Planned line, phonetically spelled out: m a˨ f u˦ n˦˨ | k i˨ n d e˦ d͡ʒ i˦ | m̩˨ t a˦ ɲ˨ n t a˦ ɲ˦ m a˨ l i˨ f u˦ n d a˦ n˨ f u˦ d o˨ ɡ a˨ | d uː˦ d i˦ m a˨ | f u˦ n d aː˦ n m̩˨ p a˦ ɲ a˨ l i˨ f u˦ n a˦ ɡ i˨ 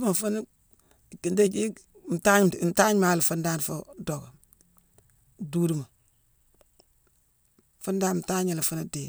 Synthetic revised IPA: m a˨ f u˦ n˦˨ | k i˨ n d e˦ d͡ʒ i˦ | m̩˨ t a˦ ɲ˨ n t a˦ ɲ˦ m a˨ l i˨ f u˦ n d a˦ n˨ f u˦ d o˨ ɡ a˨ | d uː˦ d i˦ m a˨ | f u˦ n d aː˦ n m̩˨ t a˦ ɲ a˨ l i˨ f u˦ n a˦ d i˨